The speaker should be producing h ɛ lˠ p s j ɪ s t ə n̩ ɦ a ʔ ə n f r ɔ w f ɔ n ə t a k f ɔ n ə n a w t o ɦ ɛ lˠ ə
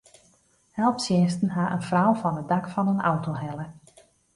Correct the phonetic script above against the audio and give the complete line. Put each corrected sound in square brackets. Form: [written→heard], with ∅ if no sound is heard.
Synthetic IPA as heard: h ɛ lˠ p s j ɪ s t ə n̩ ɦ a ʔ ə n f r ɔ w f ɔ n ə [t→d] a k f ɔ n ə n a w t o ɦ ɛ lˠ ə